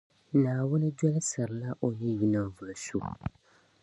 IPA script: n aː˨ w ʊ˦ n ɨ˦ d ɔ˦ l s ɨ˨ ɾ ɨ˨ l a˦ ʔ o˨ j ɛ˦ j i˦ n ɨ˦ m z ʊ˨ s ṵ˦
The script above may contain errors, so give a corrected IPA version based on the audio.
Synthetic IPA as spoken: n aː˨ w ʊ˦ n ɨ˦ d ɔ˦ l s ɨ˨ ɾ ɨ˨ l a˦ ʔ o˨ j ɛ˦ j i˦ n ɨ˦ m v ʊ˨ s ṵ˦